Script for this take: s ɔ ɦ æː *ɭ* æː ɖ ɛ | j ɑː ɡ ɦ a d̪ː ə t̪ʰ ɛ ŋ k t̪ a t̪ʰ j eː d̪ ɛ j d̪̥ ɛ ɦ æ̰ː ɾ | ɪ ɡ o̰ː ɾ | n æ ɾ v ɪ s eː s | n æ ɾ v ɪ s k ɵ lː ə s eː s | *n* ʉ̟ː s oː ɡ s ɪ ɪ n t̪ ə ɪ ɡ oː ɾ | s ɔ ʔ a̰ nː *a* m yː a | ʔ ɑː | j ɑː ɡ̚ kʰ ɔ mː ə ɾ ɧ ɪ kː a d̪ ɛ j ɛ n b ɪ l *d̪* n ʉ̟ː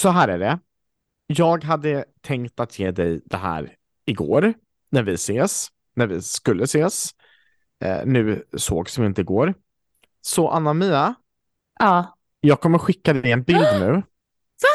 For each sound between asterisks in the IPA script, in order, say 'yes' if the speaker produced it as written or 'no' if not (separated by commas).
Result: no, yes, yes, yes